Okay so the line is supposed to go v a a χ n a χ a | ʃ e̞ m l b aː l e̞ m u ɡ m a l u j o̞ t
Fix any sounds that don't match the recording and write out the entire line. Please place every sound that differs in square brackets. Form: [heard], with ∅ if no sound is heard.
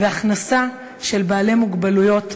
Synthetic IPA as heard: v [e] a χ n a [s] a | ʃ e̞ [∅] l b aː l e̞ m u ɡ [b] a l u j o̞ t